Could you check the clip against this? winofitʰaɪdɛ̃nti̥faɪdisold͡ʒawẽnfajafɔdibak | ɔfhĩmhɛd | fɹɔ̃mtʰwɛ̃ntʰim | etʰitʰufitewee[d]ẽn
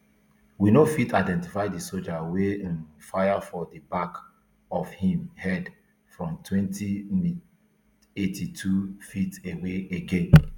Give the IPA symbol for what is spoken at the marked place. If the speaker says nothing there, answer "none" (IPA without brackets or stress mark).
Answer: ɡ